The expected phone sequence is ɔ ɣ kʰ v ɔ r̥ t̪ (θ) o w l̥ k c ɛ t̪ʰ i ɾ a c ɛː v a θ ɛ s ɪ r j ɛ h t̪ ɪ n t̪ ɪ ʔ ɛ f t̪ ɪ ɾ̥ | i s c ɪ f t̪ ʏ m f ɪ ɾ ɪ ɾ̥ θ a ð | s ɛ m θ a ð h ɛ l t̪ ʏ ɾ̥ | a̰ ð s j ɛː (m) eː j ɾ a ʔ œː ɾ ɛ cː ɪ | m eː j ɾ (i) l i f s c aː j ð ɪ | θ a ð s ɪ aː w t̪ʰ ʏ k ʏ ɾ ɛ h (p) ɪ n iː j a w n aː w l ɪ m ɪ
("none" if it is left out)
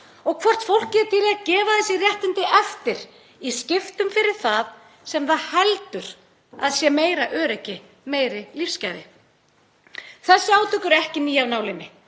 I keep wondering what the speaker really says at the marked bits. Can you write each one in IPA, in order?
f, m, ɪ, c

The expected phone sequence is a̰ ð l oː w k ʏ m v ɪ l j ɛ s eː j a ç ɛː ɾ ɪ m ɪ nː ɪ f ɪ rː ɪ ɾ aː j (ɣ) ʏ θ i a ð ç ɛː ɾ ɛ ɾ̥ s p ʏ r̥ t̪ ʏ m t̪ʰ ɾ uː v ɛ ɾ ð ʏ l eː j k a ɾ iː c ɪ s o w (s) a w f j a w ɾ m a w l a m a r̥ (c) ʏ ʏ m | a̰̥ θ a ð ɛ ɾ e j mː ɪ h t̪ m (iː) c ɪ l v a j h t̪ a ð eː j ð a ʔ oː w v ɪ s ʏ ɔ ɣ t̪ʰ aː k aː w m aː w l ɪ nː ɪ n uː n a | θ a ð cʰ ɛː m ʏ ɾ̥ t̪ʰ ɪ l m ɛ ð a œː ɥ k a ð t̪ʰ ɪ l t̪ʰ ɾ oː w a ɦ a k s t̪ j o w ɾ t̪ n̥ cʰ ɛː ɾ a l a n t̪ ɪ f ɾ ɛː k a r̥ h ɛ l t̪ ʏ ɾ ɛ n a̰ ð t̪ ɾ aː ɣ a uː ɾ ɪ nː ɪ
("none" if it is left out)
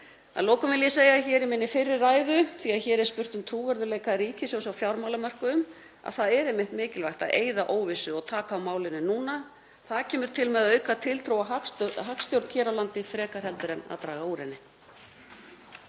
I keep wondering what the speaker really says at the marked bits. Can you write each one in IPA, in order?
ð, s, k, ɪː

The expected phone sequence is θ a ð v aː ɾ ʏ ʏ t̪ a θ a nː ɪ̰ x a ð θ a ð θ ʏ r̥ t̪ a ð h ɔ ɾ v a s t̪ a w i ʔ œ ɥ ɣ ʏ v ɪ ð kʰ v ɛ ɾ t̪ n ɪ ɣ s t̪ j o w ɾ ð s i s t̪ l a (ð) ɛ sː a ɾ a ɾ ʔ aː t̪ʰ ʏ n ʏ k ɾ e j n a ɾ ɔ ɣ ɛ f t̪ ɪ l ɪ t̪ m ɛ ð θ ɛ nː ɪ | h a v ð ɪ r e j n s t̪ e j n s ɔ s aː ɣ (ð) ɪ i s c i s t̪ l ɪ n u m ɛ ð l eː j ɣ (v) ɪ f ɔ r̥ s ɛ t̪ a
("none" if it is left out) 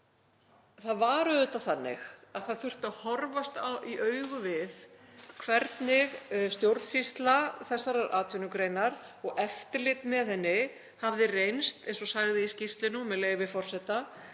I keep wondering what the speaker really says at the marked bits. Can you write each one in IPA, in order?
θ, ð, v

